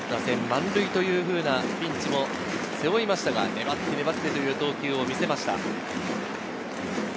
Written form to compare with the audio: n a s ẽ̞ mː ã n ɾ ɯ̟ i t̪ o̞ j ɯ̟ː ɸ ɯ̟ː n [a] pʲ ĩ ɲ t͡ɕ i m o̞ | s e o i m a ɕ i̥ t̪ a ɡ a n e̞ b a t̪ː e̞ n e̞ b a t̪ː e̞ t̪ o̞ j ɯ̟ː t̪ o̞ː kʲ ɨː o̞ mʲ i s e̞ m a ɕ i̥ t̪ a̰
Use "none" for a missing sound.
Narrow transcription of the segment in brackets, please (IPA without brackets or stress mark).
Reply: a